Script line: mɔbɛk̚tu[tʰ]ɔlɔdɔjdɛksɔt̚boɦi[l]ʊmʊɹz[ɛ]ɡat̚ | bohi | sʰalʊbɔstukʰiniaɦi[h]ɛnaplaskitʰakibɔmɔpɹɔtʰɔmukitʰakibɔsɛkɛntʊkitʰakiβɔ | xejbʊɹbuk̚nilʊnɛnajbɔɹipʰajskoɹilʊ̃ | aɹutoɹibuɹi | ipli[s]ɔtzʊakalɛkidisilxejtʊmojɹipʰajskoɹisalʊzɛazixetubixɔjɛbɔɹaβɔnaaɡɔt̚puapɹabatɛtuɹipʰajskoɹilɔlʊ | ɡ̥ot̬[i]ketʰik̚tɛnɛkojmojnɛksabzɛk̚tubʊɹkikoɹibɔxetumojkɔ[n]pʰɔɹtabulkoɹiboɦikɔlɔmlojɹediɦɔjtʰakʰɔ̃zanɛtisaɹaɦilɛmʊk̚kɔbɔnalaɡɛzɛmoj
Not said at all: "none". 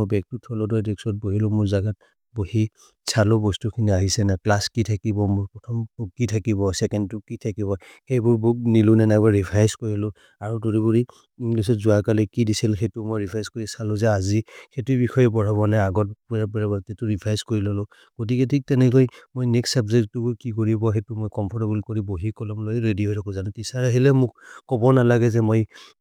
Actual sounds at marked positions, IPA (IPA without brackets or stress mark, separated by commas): tʰ, l, a, s, s, i, m